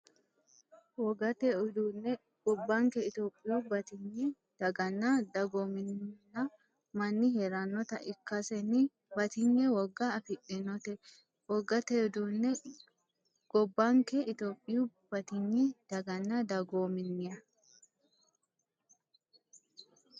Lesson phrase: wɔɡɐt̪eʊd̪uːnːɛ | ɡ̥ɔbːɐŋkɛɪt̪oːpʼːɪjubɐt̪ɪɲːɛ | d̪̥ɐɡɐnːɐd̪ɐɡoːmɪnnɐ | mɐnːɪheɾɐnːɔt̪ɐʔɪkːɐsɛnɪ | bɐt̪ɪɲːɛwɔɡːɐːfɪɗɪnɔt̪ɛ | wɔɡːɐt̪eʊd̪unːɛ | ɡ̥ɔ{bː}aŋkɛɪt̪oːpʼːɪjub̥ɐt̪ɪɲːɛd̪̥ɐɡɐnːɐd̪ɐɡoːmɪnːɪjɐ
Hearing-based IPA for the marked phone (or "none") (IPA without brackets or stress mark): bː